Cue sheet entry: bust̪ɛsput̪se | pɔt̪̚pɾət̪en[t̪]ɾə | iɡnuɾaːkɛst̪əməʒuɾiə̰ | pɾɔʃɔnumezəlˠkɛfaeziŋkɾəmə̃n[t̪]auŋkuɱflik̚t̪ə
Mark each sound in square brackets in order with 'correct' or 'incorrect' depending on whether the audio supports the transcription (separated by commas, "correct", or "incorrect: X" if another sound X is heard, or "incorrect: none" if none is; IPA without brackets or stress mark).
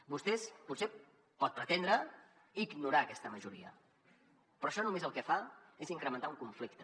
incorrect: d̪, correct